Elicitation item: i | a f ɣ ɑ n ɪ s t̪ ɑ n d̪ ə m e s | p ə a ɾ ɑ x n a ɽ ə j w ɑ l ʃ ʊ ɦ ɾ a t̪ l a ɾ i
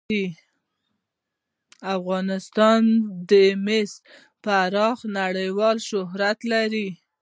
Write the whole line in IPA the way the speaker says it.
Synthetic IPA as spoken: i | a f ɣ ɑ n ɪ s t̪ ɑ n d̪ ə m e s | p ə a ɾ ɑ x n a ɽ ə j w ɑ l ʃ ʊ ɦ ɾ a t̪ l a ɾ i